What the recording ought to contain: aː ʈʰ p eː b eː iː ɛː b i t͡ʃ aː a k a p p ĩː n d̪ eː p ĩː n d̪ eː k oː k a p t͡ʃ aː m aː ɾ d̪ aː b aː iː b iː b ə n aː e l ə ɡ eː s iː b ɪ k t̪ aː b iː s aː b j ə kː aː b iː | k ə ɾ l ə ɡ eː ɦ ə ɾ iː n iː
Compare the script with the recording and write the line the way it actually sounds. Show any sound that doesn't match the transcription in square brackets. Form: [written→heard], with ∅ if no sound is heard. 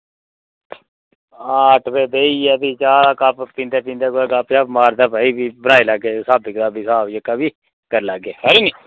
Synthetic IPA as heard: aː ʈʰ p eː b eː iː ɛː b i t͡ʃ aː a k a p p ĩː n d̪ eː p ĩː n d̪ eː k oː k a p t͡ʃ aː m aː ɾ d̪ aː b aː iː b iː b ə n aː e l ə ɡ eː s [iː→aː] b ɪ k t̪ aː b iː s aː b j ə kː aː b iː | k ə ɾ l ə ɡ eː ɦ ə ɾ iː n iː